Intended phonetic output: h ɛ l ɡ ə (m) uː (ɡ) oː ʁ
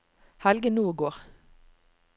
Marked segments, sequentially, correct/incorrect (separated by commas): incorrect, correct